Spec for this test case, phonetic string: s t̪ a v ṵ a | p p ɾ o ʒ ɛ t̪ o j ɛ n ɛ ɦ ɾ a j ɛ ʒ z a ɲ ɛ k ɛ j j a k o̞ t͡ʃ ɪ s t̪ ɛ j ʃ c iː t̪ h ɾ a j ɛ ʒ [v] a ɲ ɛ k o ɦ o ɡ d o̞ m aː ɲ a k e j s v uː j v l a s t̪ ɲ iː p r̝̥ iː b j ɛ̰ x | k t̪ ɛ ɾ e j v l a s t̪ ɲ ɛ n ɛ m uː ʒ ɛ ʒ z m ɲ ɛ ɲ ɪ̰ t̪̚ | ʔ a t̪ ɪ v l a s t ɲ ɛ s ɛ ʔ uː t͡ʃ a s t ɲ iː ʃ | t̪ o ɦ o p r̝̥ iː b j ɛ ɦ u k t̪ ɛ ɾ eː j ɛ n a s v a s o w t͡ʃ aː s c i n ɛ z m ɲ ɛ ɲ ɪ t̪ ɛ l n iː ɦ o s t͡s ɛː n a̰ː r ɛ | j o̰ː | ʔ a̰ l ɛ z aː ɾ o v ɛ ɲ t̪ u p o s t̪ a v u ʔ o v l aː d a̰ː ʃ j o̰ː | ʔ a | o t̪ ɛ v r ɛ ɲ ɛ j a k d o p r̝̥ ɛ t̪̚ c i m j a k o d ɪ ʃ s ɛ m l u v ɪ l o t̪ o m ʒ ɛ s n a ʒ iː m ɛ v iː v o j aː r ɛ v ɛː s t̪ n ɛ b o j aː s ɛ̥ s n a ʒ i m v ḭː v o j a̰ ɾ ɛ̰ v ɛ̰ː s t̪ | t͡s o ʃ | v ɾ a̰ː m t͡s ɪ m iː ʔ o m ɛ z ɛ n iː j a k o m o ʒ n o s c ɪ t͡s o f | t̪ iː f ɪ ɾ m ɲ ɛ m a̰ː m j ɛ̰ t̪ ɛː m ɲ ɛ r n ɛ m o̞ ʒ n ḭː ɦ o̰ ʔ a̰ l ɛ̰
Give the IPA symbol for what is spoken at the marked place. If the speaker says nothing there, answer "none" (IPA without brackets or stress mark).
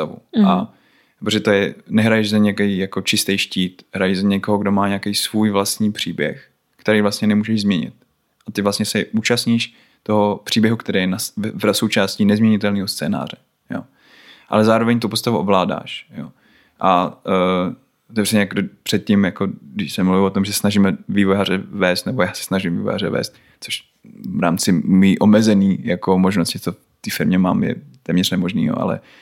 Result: z